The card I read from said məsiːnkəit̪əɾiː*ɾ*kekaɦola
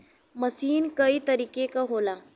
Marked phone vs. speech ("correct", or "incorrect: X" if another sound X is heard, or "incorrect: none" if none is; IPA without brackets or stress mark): incorrect: none